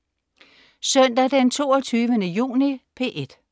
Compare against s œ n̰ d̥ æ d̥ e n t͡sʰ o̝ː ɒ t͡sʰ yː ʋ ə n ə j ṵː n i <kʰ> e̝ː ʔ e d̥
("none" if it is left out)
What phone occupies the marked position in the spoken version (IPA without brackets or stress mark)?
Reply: pʰ